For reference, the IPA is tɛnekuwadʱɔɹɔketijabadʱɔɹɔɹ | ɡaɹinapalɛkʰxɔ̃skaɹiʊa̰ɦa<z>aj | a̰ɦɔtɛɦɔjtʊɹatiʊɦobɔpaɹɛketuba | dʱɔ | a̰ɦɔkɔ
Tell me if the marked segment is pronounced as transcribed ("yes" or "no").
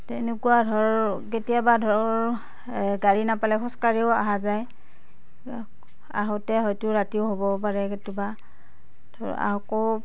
yes